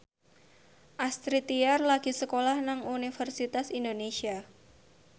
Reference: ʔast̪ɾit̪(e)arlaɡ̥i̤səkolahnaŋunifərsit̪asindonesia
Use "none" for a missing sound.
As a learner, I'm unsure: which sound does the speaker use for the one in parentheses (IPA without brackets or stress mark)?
i